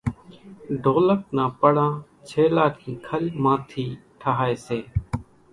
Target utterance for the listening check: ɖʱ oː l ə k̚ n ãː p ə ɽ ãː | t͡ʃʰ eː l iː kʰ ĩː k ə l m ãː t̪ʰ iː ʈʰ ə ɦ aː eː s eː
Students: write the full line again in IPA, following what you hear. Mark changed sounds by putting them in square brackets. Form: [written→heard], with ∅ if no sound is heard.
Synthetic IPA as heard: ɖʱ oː l ə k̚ n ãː p ə ɽ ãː | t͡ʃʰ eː l [iː→aː] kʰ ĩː [k→kʰ] ə l m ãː t̪ʰ iː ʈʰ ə ɦ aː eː s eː

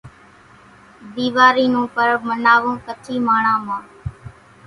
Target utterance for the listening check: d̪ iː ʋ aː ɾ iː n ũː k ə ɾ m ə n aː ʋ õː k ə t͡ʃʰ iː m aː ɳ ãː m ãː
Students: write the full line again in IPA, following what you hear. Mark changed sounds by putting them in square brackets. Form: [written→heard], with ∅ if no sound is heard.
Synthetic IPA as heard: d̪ iː ʋ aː ɾ iː n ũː [k→p] ə ɾ m ə n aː ʋ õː k ə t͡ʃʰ iː m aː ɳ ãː m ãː

